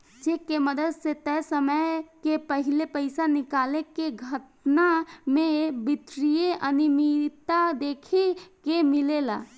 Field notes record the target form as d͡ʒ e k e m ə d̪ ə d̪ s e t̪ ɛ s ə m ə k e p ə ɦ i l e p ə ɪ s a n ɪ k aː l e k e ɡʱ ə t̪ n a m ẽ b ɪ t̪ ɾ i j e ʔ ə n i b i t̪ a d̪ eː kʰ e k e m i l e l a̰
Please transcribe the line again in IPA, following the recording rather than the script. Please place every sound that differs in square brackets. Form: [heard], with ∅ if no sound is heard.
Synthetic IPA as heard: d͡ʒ e k e m ə d̪ ə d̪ s e t̪ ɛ s ə m ə k e p ə ɦ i l e p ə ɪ s a n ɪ k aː l e k e ɡʱ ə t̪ n a m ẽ b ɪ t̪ ɾ i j e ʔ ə n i [m] i t̪ a d̪ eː kʰ e k e m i l e l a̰

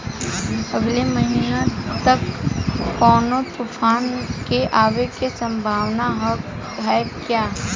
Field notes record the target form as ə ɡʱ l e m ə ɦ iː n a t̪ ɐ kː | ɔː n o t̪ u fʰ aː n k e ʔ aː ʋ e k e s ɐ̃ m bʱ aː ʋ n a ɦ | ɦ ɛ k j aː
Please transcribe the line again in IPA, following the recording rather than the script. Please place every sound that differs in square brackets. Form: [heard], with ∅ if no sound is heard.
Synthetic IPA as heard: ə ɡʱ l e m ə ɦ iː n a t̪ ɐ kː | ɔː n o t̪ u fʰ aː n k e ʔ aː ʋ e k e s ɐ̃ m bʱ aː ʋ n a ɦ | ɦ ɛ k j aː

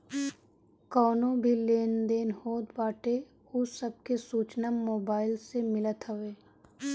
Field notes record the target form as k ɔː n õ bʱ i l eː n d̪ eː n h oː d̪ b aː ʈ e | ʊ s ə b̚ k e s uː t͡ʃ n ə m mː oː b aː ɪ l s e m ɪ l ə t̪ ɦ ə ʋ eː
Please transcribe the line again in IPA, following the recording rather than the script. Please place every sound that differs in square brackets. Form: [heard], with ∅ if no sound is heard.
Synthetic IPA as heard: k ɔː n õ bʱ i l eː n d̪ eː n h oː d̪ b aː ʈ e | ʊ s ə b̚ k e s uː t͡ʃ n ə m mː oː b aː ɪ l s e m ɪ l ə t̪ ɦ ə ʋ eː

